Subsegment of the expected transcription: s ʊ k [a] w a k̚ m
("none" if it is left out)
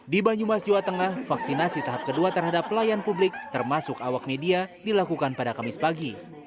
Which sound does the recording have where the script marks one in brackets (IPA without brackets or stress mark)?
a